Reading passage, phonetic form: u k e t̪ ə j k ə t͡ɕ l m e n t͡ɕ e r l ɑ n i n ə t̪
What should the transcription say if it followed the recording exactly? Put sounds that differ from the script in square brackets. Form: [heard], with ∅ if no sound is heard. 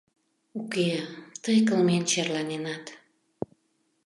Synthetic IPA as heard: u k e t̪ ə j k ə [∅] l m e n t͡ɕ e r l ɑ n [e] n [ɑ] t̪